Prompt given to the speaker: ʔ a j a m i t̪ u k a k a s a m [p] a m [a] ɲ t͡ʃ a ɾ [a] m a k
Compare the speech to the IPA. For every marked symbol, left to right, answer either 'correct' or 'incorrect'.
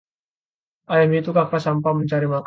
correct, incorrect: ə, incorrect: i

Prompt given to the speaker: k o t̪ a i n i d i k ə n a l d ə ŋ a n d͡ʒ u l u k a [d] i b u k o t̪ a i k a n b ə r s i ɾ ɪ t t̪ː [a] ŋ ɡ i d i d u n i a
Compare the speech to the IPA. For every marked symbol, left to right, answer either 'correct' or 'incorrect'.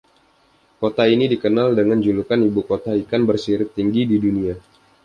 incorrect: n, incorrect: i

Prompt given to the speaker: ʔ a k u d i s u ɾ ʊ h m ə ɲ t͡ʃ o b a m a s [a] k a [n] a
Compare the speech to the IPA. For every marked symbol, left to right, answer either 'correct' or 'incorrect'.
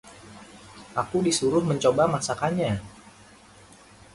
correct, incorrect: ɲ

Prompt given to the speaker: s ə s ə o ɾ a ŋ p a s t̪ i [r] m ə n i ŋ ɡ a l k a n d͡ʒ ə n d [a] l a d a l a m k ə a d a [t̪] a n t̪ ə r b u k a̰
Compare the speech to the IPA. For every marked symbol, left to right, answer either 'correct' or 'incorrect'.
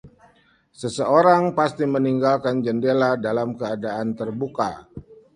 incorrect: none, incorrect: e, incorrect: none

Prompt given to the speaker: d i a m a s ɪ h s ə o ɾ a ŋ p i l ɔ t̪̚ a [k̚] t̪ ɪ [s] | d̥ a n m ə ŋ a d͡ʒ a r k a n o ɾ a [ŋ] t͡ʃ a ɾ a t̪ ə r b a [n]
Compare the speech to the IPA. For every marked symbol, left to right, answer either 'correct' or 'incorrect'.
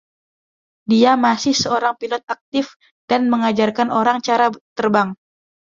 correct, incorrect: f, correct, incorrect: ŋ

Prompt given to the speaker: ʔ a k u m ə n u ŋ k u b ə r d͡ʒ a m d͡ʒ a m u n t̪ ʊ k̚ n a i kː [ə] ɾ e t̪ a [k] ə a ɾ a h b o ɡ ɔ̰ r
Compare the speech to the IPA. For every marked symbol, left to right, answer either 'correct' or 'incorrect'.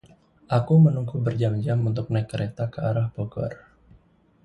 correct, correct

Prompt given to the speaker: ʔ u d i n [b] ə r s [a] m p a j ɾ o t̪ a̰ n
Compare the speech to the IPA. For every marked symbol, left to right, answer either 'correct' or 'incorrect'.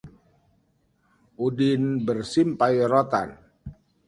correct, incorrect: i

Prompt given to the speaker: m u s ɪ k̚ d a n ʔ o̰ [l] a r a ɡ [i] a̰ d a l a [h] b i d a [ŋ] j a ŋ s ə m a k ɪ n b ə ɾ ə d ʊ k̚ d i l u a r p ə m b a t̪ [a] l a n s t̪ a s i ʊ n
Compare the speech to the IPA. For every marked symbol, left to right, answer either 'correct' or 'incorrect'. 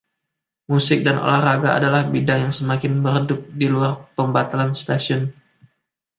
correct, incorrect: a, correct, correct, correct

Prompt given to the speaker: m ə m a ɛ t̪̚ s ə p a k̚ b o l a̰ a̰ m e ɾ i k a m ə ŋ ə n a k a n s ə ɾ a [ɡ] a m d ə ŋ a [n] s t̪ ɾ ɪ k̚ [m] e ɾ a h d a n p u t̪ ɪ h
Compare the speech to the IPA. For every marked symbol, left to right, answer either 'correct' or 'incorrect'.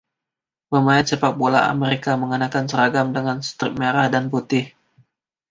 correct, correct, correct

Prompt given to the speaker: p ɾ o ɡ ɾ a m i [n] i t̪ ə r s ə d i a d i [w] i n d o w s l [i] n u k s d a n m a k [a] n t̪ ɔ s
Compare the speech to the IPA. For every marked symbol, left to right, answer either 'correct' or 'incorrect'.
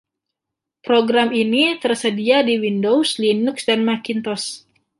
correct, correct, correct, incorrect: i

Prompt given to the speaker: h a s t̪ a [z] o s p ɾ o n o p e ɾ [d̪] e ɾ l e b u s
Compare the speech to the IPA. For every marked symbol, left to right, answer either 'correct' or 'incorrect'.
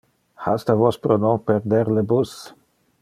incorrect: v, correct

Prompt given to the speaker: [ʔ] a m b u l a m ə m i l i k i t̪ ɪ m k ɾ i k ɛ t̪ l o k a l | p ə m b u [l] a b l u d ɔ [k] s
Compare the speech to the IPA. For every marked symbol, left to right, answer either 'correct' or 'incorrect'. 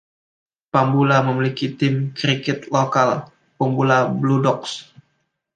incorrect: p, correct, correct

